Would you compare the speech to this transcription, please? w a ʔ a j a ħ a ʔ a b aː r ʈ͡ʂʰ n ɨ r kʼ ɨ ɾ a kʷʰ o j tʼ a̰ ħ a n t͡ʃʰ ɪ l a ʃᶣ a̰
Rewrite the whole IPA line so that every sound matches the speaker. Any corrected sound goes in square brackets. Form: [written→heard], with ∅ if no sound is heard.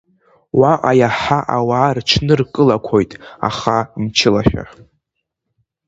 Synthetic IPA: w a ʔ a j a ħ a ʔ a [b→w] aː r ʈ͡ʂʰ n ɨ r kʼ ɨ [ɾ→l] a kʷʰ o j tʼ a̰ [ħ→χ] a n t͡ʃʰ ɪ l a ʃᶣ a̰